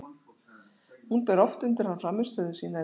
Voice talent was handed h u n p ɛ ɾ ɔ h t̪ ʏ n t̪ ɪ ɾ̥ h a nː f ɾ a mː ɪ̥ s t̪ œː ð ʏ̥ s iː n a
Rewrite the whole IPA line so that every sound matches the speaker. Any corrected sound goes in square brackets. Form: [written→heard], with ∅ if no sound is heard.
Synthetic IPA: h u n p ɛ ɾ ɔ [h→f] t̪ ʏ n t̪ ɪ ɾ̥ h a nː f ɾ a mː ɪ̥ s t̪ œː ð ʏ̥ s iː n a